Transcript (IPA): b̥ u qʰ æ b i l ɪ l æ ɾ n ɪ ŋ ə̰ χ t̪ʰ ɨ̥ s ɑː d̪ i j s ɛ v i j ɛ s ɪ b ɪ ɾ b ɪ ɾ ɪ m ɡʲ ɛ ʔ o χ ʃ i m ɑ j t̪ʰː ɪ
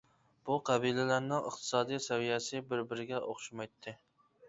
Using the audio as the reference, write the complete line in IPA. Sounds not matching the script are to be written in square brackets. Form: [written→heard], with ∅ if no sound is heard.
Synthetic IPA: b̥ u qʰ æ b i l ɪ l æ ɾ n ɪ ŋ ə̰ χ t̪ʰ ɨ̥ s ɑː d̪ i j s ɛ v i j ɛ s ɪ b ɪ ɾ b ɪ ɾ ɪ [m→∅] ɡʲ ɛ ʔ o χ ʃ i m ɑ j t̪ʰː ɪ